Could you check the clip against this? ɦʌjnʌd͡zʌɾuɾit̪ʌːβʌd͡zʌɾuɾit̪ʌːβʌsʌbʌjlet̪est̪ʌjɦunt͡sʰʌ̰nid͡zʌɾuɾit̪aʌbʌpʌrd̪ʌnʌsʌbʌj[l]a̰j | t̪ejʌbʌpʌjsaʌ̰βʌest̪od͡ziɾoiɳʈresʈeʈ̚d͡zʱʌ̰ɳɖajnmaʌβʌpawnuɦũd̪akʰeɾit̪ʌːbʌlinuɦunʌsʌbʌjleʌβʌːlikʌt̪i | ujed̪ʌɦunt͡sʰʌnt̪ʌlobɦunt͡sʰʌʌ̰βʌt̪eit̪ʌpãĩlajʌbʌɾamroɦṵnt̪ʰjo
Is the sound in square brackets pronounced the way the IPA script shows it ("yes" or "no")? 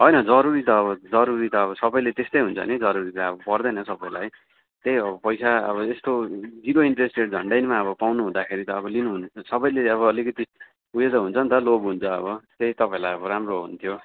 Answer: yes